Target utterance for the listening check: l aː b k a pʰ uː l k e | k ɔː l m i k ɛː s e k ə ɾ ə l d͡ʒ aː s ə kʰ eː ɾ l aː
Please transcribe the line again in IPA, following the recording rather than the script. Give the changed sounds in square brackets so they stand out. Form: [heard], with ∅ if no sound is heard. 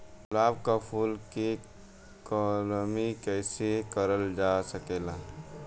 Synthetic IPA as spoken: l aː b k a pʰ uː l k e | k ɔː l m i k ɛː s e k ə ɾ ə l d͡ʒ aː s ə [k] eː [∅] l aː

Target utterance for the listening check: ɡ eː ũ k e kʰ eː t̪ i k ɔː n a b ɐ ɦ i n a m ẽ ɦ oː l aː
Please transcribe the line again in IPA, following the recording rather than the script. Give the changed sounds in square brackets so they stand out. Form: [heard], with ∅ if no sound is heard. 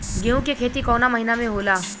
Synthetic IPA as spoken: ɡ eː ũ k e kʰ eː t̪ i k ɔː n a [m] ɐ ɦ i n a m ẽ ɦ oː l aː

